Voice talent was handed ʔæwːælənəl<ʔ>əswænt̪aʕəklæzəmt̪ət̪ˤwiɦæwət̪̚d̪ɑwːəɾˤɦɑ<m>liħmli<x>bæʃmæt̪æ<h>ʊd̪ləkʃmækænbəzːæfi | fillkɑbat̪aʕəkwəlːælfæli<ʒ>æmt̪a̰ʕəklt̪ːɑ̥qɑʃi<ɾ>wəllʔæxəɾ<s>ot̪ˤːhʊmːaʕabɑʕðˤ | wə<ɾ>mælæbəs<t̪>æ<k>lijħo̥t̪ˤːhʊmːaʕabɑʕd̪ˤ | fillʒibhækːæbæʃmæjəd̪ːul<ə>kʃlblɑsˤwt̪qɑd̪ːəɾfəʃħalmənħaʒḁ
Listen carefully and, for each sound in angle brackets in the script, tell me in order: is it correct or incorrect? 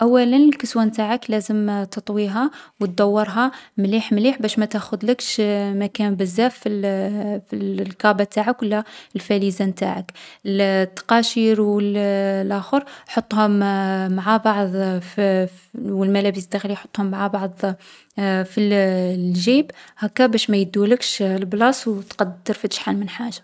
incorrect, correct, incorrect, incorrect, incorrect, correct, incorrect, incorrect, incorrect, incorrect, correct

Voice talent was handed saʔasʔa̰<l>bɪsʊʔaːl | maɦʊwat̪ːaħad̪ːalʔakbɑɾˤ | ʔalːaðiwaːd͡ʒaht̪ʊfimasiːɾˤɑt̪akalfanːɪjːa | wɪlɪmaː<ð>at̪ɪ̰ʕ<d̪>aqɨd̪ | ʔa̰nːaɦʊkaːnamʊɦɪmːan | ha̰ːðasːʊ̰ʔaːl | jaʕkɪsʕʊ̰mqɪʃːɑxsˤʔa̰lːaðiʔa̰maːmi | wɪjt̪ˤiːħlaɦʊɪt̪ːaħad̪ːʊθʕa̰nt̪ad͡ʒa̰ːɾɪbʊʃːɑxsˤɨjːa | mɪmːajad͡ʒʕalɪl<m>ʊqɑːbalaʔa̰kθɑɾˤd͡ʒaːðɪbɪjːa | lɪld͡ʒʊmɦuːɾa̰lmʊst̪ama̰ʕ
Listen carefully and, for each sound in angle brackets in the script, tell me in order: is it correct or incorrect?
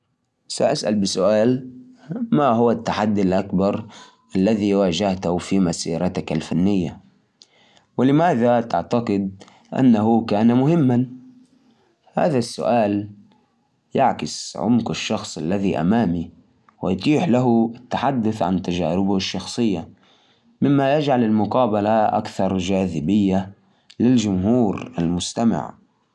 correct, correct, incorrect, correct

